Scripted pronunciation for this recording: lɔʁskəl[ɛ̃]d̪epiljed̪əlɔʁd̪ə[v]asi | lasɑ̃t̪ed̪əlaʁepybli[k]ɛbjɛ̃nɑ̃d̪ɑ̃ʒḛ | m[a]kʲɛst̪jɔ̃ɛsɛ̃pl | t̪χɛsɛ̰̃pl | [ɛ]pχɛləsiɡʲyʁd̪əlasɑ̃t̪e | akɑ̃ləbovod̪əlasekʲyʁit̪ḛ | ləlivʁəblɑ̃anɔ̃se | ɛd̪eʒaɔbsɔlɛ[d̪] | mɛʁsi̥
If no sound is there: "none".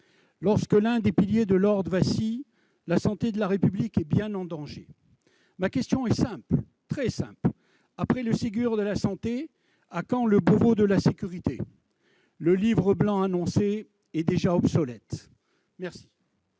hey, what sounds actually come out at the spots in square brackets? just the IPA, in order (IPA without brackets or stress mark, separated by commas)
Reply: ɛ̃, v, k, a, a, t̪